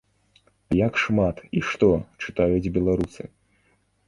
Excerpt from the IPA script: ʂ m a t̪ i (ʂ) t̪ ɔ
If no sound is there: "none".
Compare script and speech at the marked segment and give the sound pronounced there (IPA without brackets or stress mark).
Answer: ʂ